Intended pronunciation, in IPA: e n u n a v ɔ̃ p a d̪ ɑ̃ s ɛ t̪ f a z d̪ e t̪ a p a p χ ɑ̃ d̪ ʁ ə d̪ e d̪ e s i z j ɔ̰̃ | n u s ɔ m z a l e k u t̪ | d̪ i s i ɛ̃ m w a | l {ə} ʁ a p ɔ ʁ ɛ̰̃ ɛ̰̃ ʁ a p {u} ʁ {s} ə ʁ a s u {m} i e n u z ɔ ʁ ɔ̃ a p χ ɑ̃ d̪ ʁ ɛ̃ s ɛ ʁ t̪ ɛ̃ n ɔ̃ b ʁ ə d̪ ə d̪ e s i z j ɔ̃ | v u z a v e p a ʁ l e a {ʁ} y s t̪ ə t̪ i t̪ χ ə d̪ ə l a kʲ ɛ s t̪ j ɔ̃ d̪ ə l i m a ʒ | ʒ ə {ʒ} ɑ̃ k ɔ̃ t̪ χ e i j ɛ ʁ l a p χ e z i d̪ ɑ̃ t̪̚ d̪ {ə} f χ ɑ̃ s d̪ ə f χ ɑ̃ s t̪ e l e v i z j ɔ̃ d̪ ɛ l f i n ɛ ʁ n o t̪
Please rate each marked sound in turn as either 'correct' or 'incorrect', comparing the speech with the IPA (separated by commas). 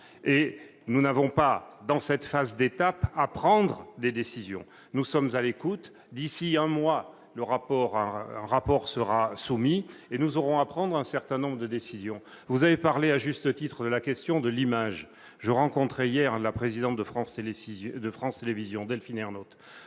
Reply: correct, incorrect, correct, correct, incorrect, incorrect, correct